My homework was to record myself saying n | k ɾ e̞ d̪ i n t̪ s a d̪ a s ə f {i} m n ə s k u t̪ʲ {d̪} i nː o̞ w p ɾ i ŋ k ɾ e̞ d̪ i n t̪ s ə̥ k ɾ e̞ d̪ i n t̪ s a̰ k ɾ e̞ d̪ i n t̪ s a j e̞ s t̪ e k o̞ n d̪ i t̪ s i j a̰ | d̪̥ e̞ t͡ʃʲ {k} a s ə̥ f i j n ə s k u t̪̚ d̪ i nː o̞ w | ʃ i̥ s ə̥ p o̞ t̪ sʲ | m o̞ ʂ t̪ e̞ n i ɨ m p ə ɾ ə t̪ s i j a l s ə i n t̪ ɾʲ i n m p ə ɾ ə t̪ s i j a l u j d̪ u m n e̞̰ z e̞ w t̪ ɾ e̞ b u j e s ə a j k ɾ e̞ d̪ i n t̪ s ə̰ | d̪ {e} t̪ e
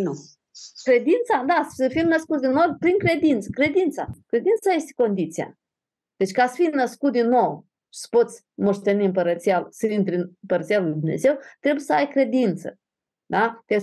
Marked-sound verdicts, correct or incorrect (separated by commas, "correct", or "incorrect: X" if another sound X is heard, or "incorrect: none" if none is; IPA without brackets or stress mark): correct, correct, correct, incorrect: a